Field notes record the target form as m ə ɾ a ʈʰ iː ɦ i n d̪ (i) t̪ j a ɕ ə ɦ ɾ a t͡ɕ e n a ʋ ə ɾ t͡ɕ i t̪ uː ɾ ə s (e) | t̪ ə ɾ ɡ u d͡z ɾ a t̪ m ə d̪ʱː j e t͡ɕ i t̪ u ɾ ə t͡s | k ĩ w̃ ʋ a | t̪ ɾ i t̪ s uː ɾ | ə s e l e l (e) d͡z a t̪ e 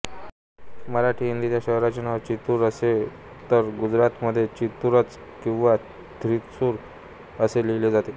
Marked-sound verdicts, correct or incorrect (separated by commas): correct, correct, correct